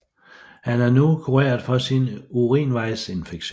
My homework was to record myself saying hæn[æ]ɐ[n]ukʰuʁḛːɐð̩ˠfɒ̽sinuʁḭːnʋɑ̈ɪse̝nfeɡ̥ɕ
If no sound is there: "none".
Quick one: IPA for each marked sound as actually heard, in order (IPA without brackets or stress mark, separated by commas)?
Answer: æ, n